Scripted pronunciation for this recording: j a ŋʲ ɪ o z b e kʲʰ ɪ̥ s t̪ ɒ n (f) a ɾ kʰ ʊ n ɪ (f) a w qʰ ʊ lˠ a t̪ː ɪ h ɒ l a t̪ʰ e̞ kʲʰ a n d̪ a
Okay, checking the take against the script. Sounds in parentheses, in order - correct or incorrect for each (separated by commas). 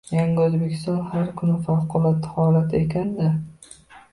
incorrect, correct